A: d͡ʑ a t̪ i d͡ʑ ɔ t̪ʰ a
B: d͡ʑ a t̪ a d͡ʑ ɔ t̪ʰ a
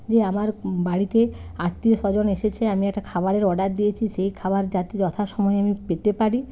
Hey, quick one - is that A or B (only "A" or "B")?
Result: A